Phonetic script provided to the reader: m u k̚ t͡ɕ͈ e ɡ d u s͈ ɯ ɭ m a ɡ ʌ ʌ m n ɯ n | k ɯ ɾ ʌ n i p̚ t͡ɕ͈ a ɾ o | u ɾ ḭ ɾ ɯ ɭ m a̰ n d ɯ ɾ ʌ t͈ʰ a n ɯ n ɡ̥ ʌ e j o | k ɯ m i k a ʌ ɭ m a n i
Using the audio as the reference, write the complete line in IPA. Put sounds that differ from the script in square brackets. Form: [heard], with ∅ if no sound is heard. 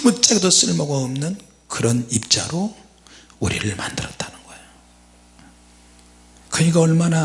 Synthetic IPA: m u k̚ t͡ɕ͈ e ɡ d [o] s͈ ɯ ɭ m [ʌ] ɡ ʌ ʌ m n ɯ n | k ɯ ɾ ʌ n i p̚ t͡ɕ͈ a ɾ o | u ɾ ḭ ɾ ɯ ɭ m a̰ n d ɯ ɾ ʌ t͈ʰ a n ɯ n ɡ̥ ʌ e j o | k ɯ [ɲ] i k a ʌ ɭ m a n [a]